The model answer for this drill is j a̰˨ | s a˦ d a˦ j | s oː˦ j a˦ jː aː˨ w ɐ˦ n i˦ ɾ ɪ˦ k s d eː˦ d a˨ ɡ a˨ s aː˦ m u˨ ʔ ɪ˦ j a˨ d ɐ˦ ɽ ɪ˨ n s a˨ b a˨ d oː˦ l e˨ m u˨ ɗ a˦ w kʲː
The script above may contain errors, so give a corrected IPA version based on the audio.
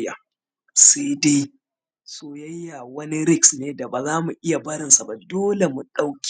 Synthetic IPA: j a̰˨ | s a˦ d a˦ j | s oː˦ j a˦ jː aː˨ w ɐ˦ n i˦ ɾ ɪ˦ k s n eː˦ d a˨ b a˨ z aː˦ m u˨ ʔ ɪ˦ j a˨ b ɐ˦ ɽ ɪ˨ n s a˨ b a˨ d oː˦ l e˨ m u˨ ɗ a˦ w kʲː